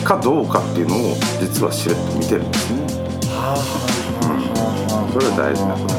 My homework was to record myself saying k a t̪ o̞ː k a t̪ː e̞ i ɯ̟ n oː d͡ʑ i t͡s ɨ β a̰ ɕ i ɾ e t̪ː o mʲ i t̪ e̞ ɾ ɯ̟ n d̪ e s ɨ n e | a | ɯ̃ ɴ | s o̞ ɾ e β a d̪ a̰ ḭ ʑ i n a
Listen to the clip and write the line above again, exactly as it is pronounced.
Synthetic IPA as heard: k a d̪ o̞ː k a t̪ː e̞ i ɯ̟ n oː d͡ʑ i t͡s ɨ β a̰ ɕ i ɾ e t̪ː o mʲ i t̪ e̞ ɾ ɯ̟ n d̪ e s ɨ n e | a | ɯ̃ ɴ | s o̞ ɾ e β a d̪ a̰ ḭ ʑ i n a